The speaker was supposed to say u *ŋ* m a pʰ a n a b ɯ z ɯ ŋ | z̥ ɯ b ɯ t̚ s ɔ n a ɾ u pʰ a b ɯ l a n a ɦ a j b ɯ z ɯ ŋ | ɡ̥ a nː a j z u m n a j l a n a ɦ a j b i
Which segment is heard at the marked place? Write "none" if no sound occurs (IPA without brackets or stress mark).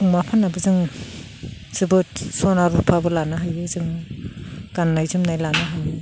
ŋ